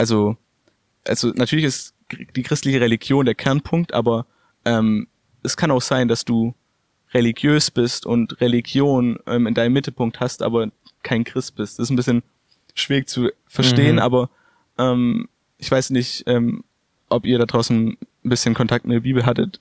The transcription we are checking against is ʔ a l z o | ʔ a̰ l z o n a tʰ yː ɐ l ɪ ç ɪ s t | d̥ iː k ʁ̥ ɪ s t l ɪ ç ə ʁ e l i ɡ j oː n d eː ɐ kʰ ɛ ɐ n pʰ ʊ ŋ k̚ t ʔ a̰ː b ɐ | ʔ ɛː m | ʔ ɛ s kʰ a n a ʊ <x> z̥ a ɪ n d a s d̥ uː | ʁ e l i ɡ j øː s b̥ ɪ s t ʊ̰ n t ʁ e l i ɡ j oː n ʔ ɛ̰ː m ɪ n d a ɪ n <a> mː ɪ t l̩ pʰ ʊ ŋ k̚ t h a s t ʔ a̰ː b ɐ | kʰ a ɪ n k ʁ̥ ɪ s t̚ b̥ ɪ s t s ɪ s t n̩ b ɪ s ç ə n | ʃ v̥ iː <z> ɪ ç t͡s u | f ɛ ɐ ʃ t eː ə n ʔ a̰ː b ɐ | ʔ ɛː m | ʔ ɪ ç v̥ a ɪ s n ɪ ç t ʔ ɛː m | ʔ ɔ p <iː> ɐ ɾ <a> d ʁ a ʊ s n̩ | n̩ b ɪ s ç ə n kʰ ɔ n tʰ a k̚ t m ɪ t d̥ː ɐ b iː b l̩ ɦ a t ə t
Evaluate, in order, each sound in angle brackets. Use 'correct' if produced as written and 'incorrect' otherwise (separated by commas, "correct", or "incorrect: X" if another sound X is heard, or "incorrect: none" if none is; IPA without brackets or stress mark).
correct, incorrect: ə, incorrect: ʁ, correct, correct